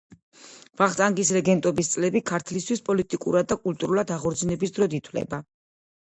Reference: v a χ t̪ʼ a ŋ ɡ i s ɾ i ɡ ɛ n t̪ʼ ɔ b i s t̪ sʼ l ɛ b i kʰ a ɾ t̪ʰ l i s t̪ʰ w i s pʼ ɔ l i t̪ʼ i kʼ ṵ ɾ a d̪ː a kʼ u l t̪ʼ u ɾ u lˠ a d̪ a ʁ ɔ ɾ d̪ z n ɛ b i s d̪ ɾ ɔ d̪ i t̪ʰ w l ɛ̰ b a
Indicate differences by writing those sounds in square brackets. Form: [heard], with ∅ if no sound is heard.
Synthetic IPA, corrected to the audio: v a χ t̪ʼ a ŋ ɡ i s ɾ [ɛ] ɡ ɛ n t̪ʼ ɔ b i s t̪ sʼ l ɛ b i kʰ a ɾ t̪ʰ l i s t̪ʰ w i s pʼ ɔ l i t̪ʼ i kʼ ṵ ɾ a d̪ː a kʼ u l t̪ʼ u ɾ u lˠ a d̪ a ʁ ɔ ɾ d̪ z n ɛ b i s d̪ ɾ ɔ d̪ i t̪ʰ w l ɛ̰ b a